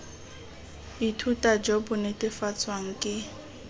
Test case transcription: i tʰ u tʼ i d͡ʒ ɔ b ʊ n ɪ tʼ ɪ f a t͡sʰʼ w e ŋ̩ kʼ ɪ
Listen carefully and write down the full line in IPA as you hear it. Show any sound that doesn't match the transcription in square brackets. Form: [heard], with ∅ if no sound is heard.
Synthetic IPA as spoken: i tʰ u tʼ [a] d͡ʒ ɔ b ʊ n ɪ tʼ ɪ f a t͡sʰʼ w [a] ŋ̩ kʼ ɪ